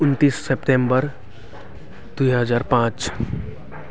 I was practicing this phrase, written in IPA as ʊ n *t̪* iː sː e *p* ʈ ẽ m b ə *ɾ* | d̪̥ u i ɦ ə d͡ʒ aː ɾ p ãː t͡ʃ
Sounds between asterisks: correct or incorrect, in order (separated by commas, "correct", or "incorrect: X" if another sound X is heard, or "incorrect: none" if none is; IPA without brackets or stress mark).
correct, correct, correct